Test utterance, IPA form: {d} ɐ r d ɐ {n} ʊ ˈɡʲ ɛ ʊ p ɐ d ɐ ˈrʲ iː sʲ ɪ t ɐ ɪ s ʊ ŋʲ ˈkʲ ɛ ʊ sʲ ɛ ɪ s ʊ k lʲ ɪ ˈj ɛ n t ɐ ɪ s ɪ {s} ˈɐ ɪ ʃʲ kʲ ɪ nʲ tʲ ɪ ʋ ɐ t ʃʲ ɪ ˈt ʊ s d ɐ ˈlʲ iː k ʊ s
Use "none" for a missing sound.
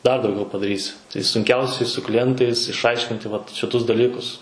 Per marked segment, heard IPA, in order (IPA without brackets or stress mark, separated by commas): d, none, ʃ